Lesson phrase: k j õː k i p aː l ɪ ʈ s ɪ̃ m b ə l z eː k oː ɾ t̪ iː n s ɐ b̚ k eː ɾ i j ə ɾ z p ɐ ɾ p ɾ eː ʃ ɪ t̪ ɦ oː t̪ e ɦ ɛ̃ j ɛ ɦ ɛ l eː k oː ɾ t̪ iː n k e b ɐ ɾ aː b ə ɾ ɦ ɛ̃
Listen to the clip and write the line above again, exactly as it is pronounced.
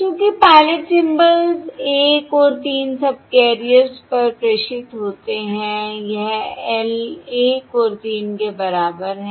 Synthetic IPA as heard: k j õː k i p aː l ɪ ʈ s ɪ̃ m b ə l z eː k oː ɾ t̪ iː n s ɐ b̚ k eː ɾ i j ə ɾ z p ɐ ɾ p ɾ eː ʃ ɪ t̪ ɦ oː t̪ e ɦ ɛ̃ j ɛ ɦ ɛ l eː k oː ɾ t̪ iː n k e b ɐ ɾ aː b ə ɾ ɦ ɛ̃